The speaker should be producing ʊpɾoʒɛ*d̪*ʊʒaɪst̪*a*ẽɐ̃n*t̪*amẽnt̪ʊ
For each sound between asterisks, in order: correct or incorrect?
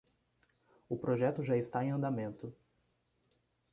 incorrect: t̪, correct, incorrect: d̪

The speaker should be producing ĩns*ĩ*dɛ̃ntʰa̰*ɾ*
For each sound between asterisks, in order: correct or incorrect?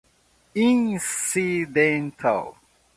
incorrect: i, incorrect: l

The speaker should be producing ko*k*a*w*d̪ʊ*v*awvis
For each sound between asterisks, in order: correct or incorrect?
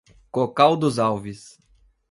correct, correct, incorrect: z

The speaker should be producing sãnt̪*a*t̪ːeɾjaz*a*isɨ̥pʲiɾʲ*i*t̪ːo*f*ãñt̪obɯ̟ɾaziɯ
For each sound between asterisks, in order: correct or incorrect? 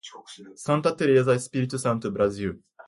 correct, correct, correct, incorrect: s

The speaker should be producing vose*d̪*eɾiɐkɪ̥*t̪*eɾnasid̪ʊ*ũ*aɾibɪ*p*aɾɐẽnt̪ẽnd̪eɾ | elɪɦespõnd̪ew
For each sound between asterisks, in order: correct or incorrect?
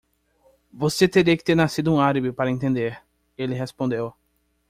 incorrect: t̪, correct, correct, correct

